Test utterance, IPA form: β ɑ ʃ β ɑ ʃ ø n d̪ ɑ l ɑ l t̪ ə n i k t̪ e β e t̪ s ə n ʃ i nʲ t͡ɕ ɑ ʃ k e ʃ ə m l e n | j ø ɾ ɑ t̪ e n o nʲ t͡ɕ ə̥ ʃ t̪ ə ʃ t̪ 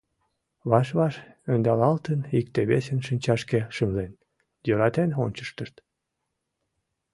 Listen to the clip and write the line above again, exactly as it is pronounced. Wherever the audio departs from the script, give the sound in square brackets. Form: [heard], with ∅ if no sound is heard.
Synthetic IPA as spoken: β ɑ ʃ β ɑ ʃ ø n d̪ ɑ l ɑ l t̪ ə n i k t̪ e β e [∅] s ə n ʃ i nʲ t͡ɕ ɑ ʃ k e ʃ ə m l e n | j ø ɾ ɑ t̪ e n o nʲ t͡ɕ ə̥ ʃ t̪ ə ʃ t̪

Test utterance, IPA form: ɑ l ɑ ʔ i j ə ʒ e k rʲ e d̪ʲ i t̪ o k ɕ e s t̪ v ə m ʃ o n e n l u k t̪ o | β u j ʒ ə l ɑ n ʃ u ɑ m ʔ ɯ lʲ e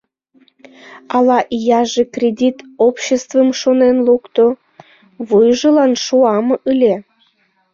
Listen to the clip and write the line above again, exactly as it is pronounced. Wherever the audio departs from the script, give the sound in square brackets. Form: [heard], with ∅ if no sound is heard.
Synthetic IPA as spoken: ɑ l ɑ ʔ i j [ɑ] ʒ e k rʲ e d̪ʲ i t̪ o [p] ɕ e s t̪ v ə m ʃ o n e n l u k t̪ o | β u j ʒ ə l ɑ n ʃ u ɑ m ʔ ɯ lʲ e

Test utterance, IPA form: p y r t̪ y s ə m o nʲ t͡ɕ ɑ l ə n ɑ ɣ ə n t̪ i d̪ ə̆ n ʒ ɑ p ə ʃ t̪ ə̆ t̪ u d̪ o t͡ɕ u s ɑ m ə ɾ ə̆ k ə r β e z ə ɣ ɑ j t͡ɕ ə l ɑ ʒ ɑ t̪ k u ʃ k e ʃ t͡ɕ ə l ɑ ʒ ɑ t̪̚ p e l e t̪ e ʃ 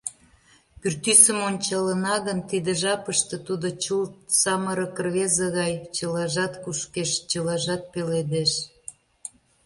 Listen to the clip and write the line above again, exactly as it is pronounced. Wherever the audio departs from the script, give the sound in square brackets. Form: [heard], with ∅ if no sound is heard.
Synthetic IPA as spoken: p y r t̪ y s ə m o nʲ t͡ɕ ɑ l ə n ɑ ɣ ə n t̪ i d̪ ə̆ [∅] ʒ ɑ p ə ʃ t̪ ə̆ t̪ u d̪ o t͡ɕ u s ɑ m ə ɾ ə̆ k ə r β e z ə ɣ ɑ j t͡ɕ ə l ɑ ʒ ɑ t̪ k u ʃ k e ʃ t͡ɕ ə l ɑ ʒ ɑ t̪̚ p e l e [d̪] e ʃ

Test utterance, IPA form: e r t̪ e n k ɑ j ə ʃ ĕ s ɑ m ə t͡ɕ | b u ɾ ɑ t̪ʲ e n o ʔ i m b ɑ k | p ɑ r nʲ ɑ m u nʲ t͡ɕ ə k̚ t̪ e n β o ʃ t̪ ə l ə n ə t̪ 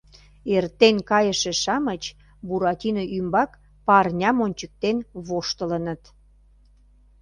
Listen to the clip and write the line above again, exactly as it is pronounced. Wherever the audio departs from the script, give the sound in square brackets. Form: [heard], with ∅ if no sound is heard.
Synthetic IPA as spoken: e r t̪ e n k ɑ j ə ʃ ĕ [ʃ] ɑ m ə t͡ɕ | b u ɾ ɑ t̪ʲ [i] n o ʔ [y] m b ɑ k | p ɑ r nʲ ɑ m [o] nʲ t͡ɕ ə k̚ t̪ e n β o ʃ t̪ ə l ə n ə t̪

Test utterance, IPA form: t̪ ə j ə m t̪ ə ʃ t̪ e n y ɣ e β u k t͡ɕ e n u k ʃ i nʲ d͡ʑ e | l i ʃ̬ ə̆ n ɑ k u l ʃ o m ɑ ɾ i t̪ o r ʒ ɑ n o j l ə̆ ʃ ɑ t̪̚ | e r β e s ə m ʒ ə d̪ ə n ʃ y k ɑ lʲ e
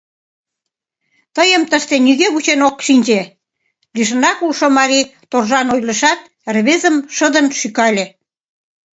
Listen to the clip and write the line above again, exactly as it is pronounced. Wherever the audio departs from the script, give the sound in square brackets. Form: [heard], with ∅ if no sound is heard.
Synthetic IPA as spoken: t̪ ə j ə m t̪ ə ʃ t̪ e n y ɣ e β u [∅] t͡ɕ e n [o] k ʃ i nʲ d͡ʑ e | l i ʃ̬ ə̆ n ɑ k u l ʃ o m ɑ ɾ i t̪ o r ʒ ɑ n o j l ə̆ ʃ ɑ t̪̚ | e r β e [z] ə m [ʃ] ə d̪ ə n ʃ y k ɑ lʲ e

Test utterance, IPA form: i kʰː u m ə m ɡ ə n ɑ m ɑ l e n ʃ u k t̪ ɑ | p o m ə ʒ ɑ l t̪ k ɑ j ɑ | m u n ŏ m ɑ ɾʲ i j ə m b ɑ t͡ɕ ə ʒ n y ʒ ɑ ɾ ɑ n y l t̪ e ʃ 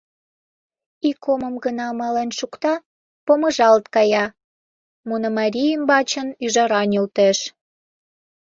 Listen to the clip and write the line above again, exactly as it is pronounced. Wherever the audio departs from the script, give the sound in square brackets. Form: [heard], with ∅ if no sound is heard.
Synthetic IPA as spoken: i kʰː [o] m ə m ɡ ə n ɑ m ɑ l e n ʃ u k t̪ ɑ | p o m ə ʒ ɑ l t̪ k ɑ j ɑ | m u n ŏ m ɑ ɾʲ i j ə m b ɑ t͡ɕ ə [∅] n y ʒ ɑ ɾ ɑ n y l t̪ e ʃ

